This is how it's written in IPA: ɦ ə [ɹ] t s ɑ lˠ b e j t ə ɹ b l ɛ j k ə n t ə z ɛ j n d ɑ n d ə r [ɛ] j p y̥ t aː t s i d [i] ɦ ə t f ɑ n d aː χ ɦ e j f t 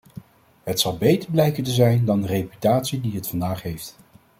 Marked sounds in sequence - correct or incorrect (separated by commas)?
incorrect, incorrect, correct